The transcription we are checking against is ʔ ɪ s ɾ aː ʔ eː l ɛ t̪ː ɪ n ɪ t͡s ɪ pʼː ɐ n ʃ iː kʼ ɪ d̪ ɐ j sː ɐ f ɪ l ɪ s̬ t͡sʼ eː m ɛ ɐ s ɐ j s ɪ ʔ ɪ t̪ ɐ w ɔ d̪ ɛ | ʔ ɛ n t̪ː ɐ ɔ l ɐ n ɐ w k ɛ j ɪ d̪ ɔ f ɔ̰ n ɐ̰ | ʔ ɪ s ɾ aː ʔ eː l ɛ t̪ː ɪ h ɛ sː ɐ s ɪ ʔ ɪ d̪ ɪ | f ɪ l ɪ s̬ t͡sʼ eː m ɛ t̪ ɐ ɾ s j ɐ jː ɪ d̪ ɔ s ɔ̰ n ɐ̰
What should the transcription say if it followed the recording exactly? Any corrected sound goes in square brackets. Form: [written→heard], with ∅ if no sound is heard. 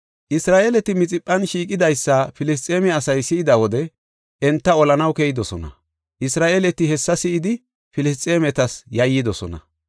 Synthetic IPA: ʔ ɪ s ɾ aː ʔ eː l ɛ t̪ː ɪ [n→m] ɪ [t͡s→t͡sʼ] ɪ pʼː ɐ n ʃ iː kʼ ɪ d̪ ɐ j sː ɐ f ɪ l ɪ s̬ t͡sʼ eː m ɛ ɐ s ɐ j s ɪ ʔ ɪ [t̪→d̪] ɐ w ɔ d̪ ɛ | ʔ ɛ n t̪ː ɐ ɔ l ɐ n ɐ w k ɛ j ɪ d̪ ɔ [f→s] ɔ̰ n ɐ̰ | ʔ ɪ s ɾ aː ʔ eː l ɛ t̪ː ɪ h ɛ sː ɐ s ɪ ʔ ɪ d̪ ɪ | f ɪ l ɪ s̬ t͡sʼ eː m ɛ t̪ ɐ [ɾ→∅] s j ɐ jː ɪ d̪ ɔ s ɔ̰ n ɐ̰